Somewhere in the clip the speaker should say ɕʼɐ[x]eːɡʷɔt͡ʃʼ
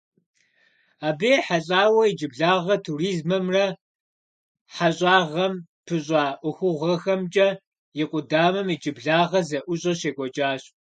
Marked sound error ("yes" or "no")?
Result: yes